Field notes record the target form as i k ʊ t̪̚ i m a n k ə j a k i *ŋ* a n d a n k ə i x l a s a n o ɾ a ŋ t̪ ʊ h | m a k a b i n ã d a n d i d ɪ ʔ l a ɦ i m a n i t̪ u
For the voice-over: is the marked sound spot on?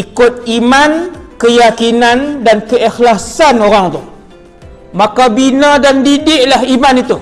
no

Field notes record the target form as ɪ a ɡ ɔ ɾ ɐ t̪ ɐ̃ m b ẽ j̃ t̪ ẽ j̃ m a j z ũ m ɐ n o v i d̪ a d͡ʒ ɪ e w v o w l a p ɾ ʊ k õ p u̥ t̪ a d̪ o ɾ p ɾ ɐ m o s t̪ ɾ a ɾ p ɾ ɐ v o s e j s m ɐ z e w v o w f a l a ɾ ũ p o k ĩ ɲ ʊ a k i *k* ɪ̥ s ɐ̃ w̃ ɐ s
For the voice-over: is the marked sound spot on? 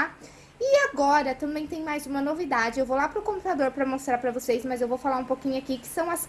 yes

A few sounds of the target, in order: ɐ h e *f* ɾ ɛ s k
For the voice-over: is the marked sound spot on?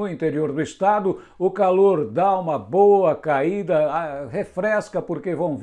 yes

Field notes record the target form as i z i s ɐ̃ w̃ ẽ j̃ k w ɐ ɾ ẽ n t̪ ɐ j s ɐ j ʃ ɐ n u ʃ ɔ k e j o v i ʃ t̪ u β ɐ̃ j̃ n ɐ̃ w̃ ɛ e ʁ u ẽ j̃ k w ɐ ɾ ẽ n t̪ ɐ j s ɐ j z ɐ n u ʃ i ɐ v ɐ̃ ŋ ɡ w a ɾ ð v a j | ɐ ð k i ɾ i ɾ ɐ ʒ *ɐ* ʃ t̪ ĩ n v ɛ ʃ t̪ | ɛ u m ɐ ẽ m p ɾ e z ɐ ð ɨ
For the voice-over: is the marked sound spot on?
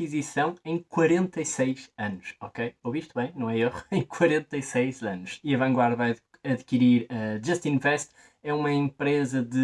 yes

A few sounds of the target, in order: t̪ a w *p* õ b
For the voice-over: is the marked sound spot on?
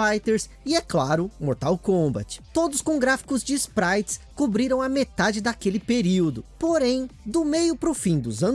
no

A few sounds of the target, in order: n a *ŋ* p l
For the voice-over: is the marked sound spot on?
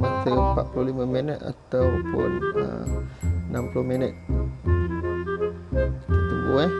no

